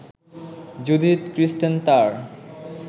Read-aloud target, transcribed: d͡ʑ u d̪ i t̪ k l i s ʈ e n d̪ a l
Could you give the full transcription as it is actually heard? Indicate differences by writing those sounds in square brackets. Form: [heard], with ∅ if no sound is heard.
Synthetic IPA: d͡ʑ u d̪ i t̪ k [ɾ] i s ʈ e n [t̪] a [ɾ]